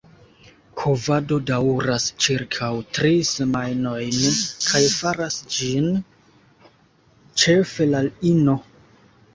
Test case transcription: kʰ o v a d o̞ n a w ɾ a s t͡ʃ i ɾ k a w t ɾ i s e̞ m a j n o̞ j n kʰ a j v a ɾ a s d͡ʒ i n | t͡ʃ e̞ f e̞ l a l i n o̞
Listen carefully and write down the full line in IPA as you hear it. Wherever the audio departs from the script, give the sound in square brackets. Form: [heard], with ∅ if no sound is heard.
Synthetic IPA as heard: kʰ o v a d o̞ [d] a w ɾ a s t͡ʃ i ɾ [kʰ] a w t ɾ i s e̞ m a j n o̞ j n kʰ a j [f] a ɾ a s d͡ʒ i n | t͡ʃ e̞ f e̞ l a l i n o̞